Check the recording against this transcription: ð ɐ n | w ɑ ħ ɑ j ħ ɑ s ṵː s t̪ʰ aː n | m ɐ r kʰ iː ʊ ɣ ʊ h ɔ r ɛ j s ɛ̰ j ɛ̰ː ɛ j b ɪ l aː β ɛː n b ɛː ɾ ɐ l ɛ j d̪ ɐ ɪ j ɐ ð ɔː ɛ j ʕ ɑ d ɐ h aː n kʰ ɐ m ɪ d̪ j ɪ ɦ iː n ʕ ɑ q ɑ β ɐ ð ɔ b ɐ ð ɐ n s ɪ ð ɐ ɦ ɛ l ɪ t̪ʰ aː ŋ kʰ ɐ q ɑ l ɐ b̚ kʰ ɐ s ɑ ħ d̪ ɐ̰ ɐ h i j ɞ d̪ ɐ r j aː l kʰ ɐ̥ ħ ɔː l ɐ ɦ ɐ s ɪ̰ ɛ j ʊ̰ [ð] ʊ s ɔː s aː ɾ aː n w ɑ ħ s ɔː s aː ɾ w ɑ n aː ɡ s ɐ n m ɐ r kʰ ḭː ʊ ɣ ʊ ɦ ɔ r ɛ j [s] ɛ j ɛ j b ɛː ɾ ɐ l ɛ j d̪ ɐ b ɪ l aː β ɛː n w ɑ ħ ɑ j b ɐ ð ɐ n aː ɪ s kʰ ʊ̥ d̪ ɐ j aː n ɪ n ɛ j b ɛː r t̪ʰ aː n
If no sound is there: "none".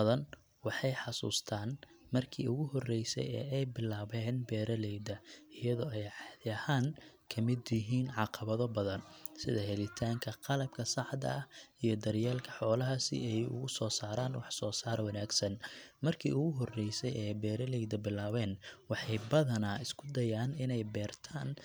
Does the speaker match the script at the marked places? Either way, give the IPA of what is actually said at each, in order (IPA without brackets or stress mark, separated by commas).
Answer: ɣ, s